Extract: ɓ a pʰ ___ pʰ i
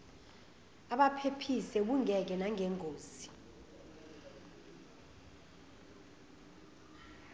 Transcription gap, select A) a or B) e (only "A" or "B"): B